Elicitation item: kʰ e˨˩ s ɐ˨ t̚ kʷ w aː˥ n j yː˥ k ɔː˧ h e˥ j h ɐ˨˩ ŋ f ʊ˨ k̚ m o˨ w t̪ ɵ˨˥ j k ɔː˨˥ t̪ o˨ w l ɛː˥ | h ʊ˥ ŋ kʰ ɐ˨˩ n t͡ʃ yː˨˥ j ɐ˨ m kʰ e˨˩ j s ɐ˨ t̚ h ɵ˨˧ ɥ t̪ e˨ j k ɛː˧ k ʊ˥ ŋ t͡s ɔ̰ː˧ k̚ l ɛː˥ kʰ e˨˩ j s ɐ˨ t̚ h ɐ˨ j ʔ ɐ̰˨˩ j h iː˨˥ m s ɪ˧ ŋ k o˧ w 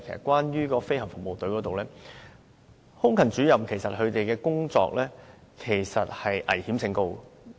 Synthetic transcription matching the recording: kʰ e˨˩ s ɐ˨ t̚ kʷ w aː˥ n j yː˥ k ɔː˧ f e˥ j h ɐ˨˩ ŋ f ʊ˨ k̚ m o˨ w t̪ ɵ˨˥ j k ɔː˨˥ t̪ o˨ w l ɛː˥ | h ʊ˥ ŋ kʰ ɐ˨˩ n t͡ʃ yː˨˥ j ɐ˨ m kʰ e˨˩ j s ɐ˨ t̚ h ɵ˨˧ ɥ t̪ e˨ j k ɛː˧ k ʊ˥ ŋ t͡s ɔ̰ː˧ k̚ l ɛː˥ kʰ e˨˩ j s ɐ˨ t̚ h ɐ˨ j ʔ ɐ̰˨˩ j h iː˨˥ m s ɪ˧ ŋ k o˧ w